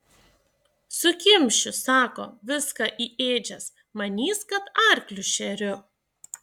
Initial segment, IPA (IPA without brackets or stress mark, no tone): s